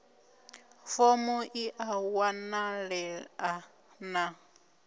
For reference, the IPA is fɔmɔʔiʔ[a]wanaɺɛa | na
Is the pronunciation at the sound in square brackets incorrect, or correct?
correct